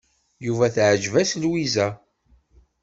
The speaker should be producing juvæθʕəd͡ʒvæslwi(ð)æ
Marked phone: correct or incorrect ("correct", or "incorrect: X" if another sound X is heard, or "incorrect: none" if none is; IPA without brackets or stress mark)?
incorrect: z